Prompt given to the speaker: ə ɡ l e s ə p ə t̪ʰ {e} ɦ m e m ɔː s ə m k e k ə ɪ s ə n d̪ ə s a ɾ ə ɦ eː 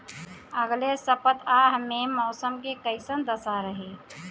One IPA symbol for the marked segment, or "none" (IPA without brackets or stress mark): a